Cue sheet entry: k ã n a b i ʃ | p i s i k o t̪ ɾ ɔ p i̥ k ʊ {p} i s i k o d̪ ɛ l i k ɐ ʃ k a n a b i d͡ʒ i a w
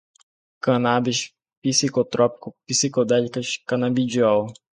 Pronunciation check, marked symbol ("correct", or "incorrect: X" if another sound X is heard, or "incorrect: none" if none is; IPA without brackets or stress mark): correct